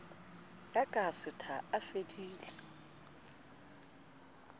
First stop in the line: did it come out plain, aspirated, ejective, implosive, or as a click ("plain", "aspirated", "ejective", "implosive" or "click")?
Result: ejective